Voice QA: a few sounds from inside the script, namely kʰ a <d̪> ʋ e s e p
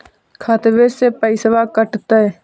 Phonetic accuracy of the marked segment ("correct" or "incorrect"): incorrect